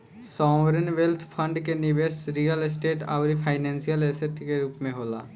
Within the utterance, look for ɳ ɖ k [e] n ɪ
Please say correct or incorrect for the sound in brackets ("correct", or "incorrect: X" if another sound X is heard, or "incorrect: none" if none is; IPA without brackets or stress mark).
correct